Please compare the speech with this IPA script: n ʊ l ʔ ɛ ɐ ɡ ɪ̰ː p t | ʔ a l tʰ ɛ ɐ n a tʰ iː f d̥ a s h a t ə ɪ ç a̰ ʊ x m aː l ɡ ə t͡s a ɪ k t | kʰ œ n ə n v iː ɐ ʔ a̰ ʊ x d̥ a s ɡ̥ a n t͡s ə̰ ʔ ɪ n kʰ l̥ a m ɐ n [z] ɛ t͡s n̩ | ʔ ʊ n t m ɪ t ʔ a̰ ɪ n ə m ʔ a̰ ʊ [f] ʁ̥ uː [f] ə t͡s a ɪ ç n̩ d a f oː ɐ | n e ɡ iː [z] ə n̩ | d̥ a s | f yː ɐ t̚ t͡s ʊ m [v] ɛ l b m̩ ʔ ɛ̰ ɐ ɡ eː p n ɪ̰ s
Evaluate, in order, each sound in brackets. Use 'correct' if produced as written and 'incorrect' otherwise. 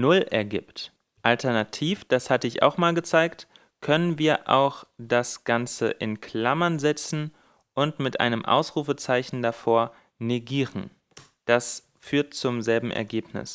correct, incorrect: s, correct, incorrect: ʁ, incorrect: z

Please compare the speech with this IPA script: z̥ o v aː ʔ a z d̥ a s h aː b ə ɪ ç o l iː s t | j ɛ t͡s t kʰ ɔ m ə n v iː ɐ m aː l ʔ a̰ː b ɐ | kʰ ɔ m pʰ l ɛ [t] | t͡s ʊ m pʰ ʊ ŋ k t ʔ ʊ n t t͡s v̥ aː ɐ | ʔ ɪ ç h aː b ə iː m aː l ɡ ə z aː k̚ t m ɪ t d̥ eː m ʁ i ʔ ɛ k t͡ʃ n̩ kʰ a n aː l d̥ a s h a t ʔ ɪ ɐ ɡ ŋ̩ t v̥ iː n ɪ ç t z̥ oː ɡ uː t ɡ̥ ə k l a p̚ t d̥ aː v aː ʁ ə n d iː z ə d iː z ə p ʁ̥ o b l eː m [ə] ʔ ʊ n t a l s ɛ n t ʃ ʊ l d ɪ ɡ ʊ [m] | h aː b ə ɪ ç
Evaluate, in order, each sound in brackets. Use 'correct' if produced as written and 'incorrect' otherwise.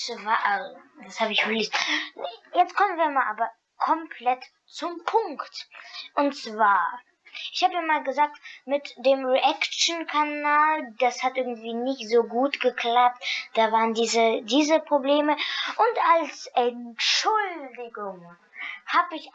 correct, correct, incorrect: ŋ

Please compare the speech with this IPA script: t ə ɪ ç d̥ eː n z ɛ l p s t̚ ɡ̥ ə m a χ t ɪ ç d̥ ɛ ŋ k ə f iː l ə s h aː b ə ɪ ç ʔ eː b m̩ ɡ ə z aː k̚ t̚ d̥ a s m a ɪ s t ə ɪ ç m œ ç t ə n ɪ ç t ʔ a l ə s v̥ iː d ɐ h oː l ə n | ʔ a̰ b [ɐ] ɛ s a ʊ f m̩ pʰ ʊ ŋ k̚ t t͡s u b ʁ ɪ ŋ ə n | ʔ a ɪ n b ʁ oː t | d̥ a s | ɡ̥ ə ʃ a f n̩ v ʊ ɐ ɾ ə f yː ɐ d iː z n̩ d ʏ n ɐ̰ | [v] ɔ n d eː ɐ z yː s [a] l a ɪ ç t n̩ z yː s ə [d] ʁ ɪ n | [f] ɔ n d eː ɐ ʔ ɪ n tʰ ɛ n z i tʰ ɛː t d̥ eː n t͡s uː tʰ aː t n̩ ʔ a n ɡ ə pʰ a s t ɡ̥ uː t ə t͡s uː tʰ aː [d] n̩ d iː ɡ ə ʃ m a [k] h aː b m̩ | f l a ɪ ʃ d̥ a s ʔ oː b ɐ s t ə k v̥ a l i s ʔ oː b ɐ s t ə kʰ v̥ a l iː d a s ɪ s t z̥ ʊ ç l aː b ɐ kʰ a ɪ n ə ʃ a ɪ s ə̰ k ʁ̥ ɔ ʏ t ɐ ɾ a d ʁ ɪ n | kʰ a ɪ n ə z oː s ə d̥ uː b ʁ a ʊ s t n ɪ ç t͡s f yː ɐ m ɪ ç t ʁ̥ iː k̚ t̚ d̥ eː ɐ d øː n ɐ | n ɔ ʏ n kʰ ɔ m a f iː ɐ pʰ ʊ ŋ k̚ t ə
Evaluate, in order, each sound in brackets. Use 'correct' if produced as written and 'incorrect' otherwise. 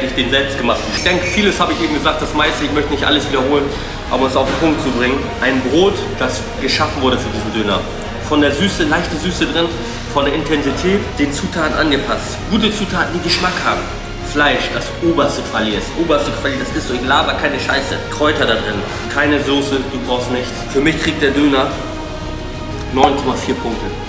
correct, incorrect: f, incorrect: ə, correct, correct, incorrect: t, correct

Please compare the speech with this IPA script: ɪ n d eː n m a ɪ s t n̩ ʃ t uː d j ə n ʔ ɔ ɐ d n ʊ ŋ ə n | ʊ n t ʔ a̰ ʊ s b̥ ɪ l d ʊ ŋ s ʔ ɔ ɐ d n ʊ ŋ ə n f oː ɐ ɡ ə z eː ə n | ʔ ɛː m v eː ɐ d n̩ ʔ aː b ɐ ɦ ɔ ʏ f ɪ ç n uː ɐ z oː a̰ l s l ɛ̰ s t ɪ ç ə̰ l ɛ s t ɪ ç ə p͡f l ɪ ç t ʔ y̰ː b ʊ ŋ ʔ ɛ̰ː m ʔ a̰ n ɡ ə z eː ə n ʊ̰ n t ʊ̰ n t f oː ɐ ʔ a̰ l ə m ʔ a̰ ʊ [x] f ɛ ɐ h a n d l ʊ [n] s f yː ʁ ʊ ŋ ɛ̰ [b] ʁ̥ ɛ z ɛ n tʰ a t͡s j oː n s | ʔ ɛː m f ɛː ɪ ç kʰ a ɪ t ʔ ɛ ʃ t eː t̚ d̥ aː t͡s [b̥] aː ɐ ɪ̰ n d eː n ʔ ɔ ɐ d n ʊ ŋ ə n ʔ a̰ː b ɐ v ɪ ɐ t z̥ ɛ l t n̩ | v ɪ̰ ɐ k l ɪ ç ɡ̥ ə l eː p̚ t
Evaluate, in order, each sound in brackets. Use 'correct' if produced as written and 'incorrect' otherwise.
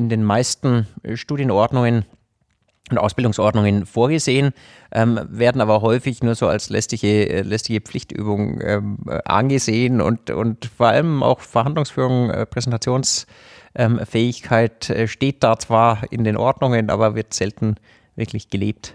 correct, incorrect: ŋ, incorrect: p, incorrect: v̥

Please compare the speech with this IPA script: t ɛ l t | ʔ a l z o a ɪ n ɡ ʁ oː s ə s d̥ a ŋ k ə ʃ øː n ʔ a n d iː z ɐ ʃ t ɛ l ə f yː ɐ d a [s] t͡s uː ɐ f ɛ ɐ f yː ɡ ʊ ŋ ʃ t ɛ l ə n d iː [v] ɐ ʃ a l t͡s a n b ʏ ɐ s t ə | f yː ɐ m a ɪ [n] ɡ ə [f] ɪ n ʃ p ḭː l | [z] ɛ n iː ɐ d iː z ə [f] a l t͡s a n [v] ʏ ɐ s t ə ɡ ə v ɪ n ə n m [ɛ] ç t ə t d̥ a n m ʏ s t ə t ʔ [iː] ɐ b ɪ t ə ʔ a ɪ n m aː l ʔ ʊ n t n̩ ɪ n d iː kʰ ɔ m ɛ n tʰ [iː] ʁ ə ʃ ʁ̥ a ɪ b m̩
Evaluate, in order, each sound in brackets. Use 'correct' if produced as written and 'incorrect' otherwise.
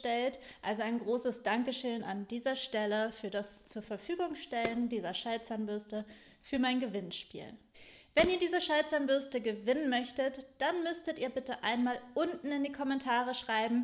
correct, incorrect: z, correct, incorrect: v, incorrect: v, incorrect: ʃ, incorrect: b, incorrect: œ, correct, incorrect: aː

